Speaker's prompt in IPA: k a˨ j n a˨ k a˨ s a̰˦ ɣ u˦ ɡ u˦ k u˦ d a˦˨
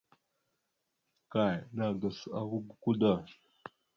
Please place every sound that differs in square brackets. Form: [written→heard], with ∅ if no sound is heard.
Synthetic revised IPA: k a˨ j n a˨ [k→ɡ] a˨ s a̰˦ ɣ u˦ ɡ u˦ k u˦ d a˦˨